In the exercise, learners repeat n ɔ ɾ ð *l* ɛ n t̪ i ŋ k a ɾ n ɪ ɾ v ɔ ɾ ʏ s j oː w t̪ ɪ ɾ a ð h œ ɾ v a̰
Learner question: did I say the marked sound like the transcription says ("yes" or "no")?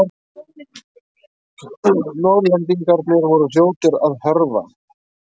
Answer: yes